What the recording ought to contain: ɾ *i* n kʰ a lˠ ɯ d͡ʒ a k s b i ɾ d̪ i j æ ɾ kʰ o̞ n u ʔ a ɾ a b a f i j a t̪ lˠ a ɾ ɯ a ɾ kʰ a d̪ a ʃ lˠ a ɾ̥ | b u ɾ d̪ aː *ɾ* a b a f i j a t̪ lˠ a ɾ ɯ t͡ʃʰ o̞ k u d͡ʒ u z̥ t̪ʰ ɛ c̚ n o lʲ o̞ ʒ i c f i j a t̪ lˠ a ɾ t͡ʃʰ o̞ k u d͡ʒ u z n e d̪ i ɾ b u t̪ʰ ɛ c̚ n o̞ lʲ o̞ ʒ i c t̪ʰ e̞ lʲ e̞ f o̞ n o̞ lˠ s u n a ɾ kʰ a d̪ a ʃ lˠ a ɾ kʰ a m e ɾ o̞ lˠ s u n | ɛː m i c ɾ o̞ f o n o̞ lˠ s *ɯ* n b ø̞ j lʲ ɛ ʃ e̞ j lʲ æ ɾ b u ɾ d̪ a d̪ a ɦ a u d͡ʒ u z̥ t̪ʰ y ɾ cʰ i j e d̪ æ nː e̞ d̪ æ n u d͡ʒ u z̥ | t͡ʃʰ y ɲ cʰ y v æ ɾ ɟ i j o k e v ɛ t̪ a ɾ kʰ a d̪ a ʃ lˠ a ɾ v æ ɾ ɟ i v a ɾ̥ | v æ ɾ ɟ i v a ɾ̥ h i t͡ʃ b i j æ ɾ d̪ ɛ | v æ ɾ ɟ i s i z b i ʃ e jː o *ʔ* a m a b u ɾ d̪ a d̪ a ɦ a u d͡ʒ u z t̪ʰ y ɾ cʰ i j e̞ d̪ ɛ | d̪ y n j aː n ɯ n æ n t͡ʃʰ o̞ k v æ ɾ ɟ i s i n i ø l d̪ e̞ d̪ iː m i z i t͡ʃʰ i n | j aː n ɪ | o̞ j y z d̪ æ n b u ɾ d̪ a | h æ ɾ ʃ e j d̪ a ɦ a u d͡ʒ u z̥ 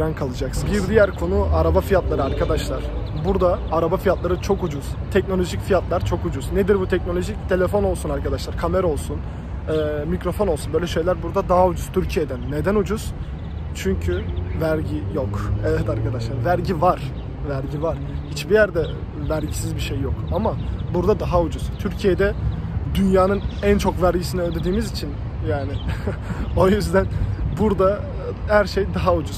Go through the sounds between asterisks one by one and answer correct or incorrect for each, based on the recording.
incorrect, correct, incorrect, incorrect

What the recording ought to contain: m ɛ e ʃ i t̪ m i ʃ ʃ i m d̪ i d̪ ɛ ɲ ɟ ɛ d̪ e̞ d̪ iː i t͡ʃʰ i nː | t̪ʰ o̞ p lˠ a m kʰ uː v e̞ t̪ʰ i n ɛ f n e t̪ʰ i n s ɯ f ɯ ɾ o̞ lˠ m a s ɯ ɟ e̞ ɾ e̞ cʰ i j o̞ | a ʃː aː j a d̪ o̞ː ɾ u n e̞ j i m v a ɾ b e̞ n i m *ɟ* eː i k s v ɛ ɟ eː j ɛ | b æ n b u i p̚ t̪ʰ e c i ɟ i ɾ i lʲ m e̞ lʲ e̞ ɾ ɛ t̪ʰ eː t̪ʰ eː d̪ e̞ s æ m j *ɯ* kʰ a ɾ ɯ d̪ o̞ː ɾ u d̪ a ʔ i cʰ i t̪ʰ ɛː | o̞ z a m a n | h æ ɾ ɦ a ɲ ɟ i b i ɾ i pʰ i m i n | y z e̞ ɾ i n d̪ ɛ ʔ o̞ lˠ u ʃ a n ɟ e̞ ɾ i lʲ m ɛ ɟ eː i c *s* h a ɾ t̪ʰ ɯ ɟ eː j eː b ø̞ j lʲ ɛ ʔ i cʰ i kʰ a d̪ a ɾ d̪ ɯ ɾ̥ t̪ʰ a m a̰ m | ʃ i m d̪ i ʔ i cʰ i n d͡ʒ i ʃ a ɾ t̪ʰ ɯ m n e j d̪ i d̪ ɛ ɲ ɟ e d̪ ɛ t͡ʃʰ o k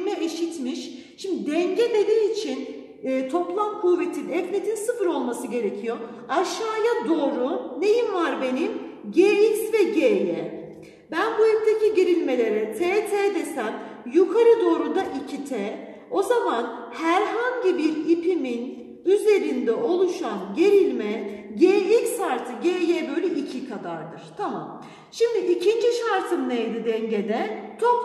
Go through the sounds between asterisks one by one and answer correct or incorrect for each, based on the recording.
correct, incorrect, correct

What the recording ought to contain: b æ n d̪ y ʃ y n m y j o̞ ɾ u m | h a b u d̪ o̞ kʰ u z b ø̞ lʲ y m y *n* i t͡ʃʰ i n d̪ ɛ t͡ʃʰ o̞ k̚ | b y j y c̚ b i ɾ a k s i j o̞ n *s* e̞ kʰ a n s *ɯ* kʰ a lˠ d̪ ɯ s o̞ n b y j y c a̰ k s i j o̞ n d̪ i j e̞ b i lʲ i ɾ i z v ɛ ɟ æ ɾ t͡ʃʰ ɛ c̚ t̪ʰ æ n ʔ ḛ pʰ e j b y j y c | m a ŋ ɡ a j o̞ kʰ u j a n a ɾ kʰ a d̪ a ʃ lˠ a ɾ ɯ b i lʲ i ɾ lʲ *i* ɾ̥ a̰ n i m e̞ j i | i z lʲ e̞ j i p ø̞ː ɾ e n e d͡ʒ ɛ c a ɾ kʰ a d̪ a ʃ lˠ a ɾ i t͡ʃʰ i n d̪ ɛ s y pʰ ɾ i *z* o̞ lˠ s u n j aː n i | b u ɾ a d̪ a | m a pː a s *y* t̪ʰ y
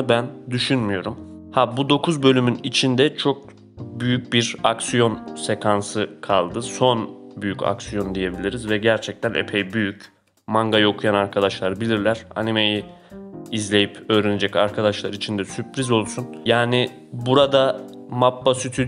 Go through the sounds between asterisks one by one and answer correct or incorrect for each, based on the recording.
correct, correct, correct, incorrect, correct, correct

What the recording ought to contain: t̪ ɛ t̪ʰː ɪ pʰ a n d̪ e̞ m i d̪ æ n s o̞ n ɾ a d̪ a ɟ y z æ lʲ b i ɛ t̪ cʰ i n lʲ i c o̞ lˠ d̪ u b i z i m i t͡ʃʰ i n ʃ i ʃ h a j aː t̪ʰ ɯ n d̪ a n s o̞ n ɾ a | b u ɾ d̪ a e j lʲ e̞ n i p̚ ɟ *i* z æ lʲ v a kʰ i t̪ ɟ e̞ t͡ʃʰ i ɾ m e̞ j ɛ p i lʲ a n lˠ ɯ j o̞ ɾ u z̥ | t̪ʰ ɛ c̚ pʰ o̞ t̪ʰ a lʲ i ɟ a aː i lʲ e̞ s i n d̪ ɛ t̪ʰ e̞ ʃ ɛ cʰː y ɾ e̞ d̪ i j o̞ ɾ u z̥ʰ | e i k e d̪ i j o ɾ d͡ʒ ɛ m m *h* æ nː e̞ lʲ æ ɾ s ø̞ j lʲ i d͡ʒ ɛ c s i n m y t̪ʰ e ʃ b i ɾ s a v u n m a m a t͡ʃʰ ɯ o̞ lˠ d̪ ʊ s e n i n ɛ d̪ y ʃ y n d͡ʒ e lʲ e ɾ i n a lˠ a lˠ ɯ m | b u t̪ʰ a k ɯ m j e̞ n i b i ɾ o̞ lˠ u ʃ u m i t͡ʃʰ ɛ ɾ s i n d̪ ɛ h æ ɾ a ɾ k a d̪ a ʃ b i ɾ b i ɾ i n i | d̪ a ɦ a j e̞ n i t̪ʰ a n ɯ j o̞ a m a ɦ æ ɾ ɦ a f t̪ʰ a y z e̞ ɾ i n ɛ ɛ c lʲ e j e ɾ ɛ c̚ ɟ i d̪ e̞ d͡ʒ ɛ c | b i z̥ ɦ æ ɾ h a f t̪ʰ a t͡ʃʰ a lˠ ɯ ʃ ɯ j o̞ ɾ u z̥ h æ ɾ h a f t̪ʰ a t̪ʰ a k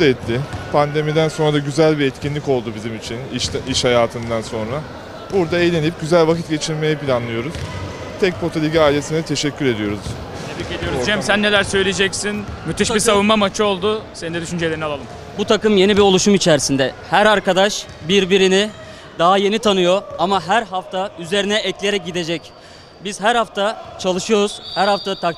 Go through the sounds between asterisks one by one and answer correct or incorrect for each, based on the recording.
incorrect, incorrect

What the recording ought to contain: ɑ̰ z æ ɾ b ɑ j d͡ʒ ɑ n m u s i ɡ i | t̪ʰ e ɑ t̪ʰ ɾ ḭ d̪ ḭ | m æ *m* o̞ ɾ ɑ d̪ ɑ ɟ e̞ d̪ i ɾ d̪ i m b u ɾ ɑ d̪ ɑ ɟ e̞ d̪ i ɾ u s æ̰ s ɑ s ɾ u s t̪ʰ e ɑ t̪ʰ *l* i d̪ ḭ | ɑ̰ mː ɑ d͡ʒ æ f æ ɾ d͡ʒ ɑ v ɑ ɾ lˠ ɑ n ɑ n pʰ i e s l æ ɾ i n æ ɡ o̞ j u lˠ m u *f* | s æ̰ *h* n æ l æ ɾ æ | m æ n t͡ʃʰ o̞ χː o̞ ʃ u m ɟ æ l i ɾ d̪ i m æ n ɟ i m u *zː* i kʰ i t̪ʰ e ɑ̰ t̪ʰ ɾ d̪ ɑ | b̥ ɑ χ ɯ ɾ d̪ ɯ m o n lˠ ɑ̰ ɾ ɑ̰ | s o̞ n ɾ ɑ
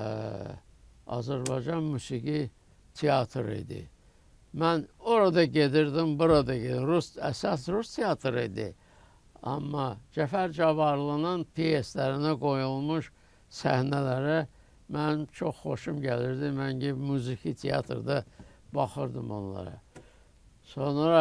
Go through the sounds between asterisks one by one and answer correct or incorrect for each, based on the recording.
incorrect, incorrect, incorrect, correct, incorrect

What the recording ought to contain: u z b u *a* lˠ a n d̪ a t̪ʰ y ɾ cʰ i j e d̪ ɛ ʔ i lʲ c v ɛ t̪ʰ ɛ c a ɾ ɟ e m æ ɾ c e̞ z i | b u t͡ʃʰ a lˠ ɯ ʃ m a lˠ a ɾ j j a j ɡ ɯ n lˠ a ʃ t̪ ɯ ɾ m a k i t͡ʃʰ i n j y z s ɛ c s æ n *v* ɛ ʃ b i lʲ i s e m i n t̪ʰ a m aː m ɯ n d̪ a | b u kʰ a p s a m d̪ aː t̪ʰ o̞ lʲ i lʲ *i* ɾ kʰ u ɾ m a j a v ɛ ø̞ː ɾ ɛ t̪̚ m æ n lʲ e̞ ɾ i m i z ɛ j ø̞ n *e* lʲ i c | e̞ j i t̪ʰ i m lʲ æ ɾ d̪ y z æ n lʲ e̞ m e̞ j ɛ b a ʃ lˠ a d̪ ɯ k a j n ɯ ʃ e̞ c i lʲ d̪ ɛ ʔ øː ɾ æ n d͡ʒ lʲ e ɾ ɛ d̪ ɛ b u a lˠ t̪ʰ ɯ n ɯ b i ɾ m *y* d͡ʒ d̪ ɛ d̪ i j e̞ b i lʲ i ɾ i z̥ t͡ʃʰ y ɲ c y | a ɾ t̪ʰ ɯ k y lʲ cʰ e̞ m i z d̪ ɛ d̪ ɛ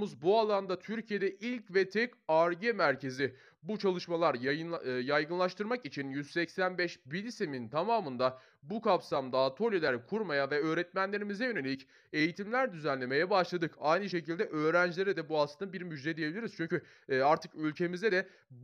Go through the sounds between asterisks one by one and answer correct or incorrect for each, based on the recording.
correct, incorrect, incorrect, correct, correct

